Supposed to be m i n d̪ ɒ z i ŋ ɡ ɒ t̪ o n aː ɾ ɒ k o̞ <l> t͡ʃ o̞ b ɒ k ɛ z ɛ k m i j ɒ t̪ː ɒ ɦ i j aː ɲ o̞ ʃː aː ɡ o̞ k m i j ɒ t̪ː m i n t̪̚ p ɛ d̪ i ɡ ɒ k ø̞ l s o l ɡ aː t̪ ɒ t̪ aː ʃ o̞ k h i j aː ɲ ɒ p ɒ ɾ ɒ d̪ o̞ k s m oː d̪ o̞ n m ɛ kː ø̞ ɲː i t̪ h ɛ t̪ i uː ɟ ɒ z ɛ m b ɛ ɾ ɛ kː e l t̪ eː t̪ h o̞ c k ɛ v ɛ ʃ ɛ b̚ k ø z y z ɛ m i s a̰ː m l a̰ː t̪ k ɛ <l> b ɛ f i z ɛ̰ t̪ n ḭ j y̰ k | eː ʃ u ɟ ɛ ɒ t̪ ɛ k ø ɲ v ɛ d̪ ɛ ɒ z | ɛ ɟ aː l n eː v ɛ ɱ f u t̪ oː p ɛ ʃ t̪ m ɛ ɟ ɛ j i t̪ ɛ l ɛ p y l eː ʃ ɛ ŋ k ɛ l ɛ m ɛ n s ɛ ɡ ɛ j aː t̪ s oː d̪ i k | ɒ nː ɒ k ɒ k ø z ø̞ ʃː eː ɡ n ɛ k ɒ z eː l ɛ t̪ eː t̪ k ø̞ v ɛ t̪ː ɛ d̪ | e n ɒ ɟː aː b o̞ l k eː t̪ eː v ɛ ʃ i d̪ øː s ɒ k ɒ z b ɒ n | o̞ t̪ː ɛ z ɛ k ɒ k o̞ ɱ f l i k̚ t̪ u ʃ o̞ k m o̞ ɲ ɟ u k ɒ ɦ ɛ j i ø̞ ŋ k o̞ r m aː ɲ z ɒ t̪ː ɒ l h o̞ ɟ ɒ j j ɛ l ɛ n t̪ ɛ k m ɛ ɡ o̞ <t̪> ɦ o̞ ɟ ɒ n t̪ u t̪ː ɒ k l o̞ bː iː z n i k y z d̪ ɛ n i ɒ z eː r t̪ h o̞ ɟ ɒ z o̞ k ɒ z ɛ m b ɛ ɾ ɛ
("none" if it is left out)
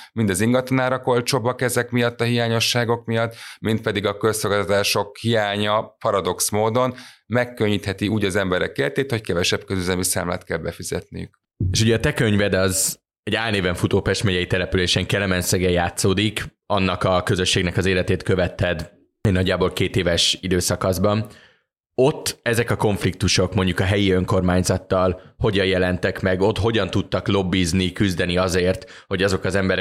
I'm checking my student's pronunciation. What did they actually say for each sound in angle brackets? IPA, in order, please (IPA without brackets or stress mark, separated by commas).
l, l, t̪